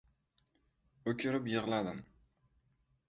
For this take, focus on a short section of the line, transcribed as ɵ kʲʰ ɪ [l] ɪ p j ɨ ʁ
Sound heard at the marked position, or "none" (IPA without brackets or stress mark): ɾ